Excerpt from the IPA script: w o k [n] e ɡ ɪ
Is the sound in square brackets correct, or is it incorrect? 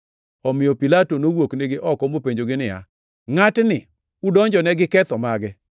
correct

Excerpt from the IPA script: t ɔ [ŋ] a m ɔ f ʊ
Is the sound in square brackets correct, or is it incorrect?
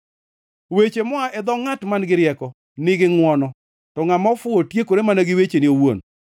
correct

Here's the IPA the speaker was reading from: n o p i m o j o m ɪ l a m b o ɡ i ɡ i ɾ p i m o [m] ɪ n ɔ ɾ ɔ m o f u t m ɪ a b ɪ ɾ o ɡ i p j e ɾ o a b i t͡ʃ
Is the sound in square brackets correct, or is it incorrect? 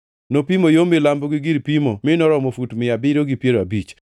correct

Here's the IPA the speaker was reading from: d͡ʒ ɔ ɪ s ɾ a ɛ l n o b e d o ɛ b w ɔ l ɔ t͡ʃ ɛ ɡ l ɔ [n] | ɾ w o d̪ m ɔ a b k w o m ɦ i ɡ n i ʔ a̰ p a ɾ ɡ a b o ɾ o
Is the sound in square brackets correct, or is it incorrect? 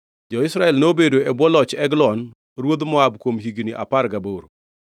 correct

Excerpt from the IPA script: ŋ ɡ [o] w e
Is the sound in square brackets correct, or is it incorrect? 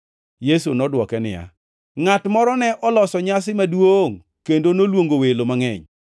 correct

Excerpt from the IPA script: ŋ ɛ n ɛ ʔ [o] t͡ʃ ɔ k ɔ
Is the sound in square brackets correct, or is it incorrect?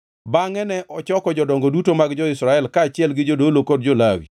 incorrect: ɔ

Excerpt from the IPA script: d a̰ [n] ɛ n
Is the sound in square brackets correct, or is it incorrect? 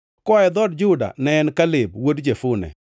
correct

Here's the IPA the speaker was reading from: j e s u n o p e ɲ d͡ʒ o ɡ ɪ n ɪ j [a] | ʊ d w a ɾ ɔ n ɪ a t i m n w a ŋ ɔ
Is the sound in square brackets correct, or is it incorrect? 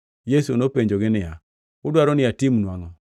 correct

